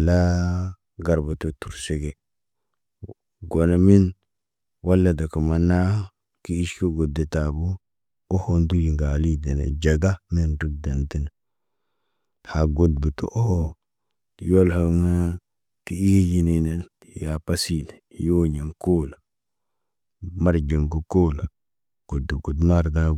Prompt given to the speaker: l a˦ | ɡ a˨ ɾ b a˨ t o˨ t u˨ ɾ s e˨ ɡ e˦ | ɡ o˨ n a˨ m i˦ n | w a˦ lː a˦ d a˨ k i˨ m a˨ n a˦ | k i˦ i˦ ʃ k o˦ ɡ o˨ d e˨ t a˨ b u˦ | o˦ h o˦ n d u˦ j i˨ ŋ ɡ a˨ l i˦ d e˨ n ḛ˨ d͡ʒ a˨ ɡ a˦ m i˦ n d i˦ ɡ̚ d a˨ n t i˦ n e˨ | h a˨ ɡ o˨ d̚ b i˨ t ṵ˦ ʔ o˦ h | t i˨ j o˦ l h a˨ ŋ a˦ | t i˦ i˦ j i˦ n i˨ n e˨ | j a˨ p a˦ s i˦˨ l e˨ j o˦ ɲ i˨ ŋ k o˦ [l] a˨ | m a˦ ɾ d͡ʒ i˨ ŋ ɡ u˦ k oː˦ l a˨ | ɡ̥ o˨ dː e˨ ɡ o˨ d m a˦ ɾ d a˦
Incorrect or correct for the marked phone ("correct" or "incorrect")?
correct